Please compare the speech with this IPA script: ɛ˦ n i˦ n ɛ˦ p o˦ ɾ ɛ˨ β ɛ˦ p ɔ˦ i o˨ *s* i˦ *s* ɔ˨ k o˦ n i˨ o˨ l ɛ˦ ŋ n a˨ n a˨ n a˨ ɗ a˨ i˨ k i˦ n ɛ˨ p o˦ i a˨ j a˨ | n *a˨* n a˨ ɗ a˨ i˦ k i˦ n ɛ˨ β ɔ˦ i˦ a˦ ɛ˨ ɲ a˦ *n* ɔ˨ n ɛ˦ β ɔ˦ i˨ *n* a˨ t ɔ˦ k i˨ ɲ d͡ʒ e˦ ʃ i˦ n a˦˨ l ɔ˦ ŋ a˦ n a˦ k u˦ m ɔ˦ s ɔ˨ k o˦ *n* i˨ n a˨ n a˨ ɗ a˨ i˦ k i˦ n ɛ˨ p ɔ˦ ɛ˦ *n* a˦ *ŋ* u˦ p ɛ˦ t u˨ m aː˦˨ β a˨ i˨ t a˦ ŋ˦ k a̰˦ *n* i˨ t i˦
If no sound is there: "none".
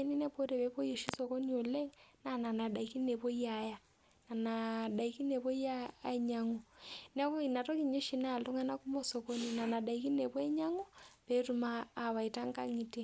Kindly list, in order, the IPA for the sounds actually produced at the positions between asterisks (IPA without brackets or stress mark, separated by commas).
ʃ, s, a˨, ŋ, n, n, ɲ, ŋ, ŋ